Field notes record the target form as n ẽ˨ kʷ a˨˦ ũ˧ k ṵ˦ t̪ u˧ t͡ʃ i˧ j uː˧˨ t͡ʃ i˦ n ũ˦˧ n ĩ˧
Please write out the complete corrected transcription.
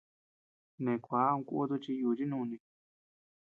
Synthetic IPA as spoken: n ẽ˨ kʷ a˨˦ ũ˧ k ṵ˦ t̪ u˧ t͡ʃ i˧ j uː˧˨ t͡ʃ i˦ n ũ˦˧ n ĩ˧